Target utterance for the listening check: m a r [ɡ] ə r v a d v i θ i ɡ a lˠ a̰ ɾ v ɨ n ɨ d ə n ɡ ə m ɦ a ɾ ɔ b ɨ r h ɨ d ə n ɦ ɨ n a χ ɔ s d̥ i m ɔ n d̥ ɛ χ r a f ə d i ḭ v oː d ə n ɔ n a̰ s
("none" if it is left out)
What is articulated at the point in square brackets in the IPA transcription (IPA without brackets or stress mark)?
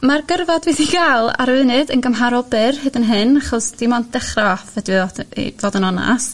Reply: ɡ